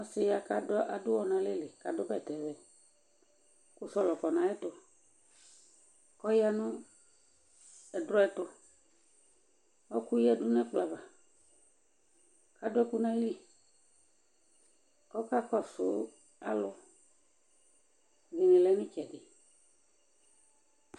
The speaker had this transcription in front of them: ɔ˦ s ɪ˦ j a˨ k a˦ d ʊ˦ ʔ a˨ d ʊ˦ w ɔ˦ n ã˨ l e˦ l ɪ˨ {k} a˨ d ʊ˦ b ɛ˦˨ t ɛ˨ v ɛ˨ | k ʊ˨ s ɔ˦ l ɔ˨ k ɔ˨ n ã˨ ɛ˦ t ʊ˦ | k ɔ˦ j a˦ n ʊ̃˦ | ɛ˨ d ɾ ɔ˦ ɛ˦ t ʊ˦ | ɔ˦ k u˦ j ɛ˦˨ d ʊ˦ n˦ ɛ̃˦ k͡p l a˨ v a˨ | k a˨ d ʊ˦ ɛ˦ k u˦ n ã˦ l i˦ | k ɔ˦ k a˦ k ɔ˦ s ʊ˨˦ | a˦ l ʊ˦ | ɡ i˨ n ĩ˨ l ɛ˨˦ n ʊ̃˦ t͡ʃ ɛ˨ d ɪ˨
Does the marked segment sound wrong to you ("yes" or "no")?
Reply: no